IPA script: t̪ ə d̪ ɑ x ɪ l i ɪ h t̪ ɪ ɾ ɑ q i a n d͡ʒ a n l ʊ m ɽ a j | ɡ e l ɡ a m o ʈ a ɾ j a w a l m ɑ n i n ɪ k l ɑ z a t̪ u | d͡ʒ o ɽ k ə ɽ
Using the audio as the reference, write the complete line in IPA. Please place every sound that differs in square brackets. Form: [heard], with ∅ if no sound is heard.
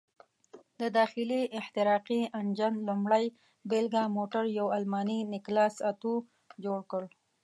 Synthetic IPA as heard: [d̪] ə d̪ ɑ x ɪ l i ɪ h t̪ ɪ ɾ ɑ q i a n d͡ʒ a n l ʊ m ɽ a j | [b] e l ɡ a m o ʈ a ɾ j a w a l m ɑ n i n ɪ k l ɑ [s] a t̪ u | d͡ʒ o ɽ k ə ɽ